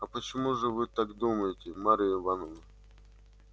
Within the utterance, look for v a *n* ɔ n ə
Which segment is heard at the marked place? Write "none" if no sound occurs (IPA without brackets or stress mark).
n